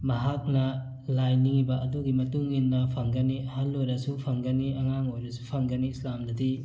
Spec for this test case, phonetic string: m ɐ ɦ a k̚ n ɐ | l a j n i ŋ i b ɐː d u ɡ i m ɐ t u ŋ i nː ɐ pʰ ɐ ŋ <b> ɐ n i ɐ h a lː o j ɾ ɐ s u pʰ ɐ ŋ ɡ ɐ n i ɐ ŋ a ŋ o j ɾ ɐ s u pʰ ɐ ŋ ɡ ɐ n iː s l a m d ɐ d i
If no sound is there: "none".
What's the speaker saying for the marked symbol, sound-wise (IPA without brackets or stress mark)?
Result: ɡ